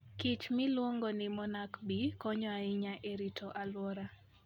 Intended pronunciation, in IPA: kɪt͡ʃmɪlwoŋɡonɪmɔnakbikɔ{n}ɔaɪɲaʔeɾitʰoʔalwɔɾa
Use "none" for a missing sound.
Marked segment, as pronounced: ɲ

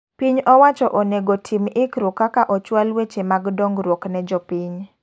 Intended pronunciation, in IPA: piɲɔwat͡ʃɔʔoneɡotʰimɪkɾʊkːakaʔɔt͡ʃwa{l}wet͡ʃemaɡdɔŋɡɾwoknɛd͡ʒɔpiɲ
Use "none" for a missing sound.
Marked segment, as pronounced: l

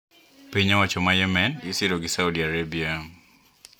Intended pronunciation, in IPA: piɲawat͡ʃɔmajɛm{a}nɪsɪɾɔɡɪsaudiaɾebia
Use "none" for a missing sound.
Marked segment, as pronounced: ɛ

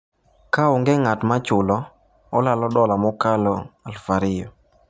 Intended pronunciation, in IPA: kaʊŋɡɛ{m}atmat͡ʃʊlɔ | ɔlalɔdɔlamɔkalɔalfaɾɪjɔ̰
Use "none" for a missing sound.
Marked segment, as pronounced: ŋ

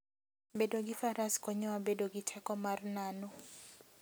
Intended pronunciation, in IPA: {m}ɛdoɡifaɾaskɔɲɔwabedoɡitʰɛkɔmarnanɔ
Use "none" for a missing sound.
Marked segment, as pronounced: b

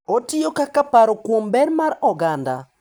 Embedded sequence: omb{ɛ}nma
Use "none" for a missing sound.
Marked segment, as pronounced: ɛ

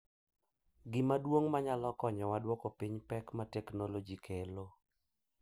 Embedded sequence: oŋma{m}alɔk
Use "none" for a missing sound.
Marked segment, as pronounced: ɲ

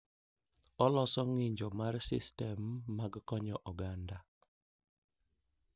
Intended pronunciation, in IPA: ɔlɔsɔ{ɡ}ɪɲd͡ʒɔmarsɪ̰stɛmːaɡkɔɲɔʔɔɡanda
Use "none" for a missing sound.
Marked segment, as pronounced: ŋ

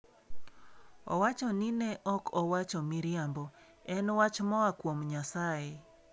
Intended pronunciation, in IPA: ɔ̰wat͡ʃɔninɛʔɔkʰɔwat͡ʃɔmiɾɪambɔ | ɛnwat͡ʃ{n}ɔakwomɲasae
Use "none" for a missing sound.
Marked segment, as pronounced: m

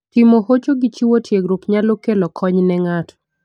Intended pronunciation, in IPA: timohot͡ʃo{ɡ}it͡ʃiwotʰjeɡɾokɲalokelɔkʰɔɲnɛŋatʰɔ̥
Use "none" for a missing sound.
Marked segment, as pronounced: ɡ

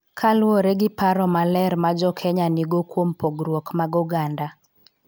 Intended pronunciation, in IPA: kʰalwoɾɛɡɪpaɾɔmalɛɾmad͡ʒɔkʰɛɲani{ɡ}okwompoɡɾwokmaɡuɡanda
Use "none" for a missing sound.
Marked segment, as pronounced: ɡ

